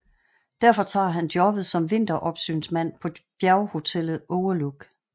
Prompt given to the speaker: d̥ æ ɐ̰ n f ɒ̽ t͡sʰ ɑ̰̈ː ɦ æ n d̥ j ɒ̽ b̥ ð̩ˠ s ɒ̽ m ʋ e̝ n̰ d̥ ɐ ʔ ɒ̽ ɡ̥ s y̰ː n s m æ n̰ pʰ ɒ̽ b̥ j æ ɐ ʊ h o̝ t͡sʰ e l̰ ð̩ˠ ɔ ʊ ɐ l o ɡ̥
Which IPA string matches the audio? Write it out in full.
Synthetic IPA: d̥ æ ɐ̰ f ɒ̽ t͡sʰ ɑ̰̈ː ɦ æ n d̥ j ɒ̽ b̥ ð̩ˠ s ɒ̽ m ʋ e̝ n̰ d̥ ɐ ʔ ɒ̽ b̥ s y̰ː n s m æ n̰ pʰ ɒ̽ b̥ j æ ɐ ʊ h o̝ t͡sʰ e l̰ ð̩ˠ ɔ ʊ ɐ l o ɡ̥

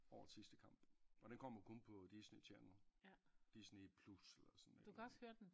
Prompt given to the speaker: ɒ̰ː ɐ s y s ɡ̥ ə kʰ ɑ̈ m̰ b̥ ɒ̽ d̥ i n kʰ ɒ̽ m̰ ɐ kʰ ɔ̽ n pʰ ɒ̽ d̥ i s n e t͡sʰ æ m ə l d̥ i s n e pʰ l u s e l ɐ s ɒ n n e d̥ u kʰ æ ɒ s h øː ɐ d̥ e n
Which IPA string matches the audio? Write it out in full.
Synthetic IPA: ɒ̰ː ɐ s i s d̥ ə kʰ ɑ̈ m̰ b̥ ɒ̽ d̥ e n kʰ ɒ̽ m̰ ɐ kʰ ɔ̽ n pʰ ɒ̽ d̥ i s n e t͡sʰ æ n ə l d̥ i s n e pʰ l u s e l ɐ s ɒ n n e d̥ u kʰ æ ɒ s h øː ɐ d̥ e n

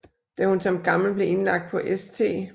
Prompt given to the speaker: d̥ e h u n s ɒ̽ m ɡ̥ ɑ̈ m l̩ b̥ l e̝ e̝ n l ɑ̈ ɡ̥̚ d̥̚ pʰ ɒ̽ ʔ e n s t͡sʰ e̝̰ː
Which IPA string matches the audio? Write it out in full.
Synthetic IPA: d̥ æ h u n s ɒ̽ m ɡ̥ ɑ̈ m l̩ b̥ l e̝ e̝ n l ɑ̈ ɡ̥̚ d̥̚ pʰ ɒ̽ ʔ e s t͡sʰ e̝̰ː

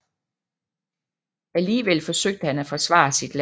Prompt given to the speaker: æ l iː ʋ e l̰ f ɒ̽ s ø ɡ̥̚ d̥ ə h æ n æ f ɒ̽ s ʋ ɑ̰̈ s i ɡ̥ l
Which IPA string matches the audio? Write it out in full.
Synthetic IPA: æ l iː ʋ e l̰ f ɒ̽ s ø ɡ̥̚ d̥ ə h æ n æ f ɒ̽ s ʋ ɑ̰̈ s i d̥ l

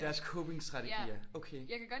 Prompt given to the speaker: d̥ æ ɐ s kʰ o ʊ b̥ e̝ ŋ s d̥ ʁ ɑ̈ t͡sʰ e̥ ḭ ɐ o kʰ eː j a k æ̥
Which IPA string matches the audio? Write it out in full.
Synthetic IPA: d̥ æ ɐ s kʰ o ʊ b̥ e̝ ŋ s d̥ ʁ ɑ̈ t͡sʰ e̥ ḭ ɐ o kʰ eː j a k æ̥

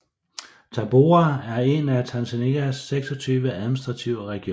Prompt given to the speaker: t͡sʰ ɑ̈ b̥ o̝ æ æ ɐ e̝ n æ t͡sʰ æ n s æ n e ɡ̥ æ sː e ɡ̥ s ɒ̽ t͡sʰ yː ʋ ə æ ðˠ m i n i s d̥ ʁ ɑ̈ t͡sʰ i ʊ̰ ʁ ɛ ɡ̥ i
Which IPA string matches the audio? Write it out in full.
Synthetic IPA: t͡sʰ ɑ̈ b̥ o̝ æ æ ɐ e̝ n æ t͡sʰ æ n s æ n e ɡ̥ æ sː e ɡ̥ s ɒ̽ t͡sʰ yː ʋ ə æ ðˠ m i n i s d̥ ʁ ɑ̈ t͡sʰ i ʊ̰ ʁ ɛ ɡ̥ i

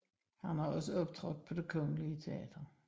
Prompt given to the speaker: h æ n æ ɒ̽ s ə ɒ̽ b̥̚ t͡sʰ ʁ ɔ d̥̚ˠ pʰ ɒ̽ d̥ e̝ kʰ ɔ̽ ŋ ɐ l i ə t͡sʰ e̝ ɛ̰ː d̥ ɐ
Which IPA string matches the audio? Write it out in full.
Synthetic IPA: h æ n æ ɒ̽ s ə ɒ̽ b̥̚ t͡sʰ ʁ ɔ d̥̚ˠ pʰ ɒ̽ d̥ e̝ kʰ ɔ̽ ŋ ə l i ə t͡sʰ e̝ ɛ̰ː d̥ ɐ

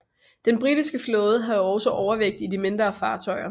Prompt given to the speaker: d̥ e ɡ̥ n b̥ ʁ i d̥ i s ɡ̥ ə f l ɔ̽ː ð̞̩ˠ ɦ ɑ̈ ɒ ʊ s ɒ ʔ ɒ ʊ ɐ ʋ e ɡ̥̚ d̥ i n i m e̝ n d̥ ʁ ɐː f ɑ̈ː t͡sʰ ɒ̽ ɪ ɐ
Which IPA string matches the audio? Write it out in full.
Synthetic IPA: d̥ e n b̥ ʁ i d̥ i s ɡ̥ ə f l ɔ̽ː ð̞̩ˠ ɦ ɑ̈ ɒ ʊ s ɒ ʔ ɒ ʊ ɐ ʋ e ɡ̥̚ d̥ i d i m e̝ n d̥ ʁ ɐː f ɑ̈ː t͡sʰ ɒ̽ ɪ ɐ

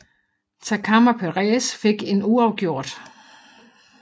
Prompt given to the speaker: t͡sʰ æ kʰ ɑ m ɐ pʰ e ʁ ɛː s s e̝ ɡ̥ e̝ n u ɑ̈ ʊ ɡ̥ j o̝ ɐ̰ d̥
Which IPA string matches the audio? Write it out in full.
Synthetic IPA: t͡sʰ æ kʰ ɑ m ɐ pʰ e ʁ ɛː s f e̝ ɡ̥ e̝ n u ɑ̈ ʊ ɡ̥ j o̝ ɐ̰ d̥

